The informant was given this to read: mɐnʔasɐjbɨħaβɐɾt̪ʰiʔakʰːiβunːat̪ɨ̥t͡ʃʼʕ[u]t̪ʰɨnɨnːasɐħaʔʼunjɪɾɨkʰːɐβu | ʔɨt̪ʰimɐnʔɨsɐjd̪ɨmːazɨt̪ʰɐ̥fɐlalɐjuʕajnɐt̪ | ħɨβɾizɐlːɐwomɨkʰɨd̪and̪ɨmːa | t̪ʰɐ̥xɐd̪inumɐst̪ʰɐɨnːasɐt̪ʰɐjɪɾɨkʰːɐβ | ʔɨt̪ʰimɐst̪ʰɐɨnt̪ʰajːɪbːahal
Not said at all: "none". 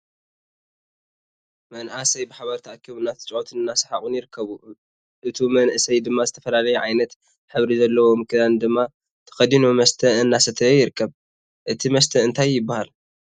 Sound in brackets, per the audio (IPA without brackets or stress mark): o